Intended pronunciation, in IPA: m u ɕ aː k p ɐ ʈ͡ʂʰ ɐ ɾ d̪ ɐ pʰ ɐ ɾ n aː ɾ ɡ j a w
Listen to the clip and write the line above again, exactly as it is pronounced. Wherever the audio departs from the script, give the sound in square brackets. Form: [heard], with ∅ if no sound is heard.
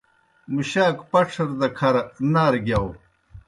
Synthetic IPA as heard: m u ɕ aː k p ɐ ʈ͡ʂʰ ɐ ɾ d̪ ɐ [kʰ] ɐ ɾ n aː ɾ ɡ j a w